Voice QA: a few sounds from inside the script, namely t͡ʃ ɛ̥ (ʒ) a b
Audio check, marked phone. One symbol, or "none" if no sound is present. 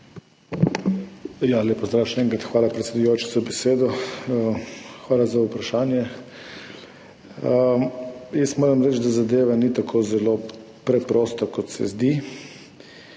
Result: z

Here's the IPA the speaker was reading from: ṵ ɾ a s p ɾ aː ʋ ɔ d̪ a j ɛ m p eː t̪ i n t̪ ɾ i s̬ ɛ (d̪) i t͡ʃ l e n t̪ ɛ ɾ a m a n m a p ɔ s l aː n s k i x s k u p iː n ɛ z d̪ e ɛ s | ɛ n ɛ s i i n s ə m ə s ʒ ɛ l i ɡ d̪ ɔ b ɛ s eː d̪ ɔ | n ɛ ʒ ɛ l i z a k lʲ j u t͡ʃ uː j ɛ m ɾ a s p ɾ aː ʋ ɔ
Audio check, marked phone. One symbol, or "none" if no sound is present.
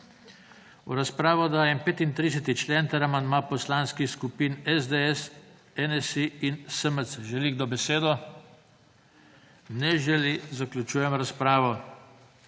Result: t̪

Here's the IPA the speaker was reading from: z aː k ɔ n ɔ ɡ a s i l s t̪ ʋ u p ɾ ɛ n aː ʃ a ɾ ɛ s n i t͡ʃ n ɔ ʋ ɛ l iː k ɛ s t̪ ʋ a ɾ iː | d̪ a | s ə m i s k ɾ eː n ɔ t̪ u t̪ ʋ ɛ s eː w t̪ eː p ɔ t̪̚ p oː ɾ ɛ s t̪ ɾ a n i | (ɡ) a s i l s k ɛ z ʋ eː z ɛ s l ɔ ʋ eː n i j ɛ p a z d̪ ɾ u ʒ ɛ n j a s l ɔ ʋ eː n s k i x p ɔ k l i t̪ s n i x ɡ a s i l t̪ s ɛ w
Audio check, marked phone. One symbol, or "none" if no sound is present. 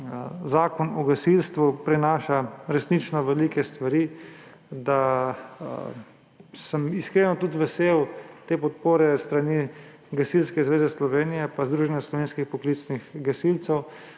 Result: ɡ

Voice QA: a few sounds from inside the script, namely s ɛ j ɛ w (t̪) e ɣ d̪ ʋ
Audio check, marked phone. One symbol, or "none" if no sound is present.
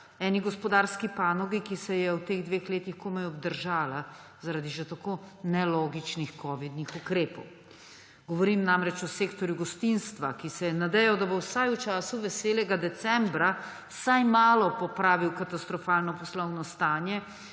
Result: t̪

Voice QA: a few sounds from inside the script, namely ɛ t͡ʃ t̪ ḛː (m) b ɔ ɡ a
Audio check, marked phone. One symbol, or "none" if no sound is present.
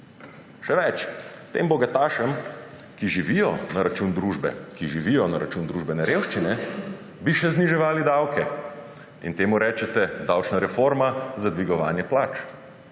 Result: m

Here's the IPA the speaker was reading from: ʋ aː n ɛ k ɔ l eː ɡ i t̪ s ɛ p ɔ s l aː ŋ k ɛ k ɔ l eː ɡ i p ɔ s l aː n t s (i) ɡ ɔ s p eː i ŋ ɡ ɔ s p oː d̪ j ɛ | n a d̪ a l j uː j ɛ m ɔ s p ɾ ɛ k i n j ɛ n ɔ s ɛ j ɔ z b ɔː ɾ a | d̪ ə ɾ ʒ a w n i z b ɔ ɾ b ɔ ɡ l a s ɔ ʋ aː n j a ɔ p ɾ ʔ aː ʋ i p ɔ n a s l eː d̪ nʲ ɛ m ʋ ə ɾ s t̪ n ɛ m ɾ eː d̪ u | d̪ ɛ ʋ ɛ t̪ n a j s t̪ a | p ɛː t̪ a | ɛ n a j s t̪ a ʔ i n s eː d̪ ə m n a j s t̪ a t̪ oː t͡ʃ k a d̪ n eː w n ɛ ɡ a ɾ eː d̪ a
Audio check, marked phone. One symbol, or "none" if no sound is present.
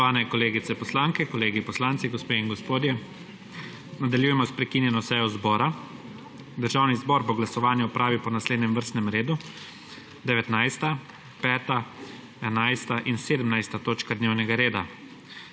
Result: i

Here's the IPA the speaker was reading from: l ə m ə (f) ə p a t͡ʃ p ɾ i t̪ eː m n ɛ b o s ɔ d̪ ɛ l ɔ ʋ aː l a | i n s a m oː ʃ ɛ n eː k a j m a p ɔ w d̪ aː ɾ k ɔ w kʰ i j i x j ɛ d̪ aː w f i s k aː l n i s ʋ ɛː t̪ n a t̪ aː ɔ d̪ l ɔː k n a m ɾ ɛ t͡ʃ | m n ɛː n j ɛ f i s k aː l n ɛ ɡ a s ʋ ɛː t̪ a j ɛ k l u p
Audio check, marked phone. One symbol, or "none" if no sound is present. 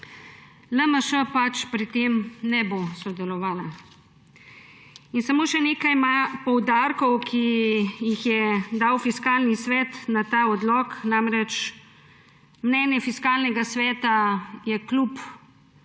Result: ʃ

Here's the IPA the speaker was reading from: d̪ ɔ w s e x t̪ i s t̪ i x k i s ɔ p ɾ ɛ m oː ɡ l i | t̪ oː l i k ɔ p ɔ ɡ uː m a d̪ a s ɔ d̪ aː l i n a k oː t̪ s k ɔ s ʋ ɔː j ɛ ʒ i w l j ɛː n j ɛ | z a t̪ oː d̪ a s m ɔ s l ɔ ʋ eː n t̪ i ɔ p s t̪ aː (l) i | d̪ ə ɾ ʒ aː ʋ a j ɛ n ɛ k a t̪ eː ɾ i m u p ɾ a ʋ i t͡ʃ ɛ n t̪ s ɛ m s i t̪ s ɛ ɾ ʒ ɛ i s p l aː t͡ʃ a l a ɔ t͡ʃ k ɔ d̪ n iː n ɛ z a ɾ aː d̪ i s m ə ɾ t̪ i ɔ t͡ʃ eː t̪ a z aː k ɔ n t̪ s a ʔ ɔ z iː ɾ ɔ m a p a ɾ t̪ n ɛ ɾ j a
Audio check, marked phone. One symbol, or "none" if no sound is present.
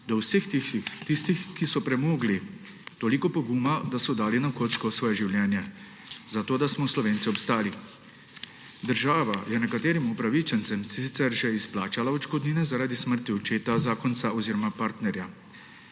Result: l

